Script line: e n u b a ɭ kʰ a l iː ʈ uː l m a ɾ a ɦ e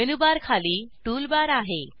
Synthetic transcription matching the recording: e n u b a ɾ kʰ a l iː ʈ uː l b a ɾ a ɦ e

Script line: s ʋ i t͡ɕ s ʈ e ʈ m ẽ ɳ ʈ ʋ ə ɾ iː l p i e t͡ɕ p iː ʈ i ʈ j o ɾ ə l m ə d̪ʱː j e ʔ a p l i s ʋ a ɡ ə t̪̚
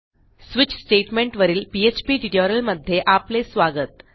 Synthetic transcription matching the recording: s ʋ i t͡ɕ s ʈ e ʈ m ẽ ɳ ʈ ʋ ə ɾ iː l p i e t͡ɕ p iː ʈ i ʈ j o ɾ ə l m ə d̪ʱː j e ʔ a p l e s ʋ a ɡ ə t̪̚

